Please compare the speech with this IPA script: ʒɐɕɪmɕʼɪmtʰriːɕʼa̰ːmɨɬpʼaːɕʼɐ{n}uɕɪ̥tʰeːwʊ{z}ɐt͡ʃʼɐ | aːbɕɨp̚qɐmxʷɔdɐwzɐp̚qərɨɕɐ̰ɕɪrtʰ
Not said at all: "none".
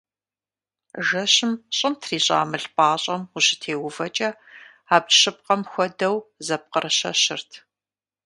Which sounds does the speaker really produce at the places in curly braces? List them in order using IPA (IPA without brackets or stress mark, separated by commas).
m, v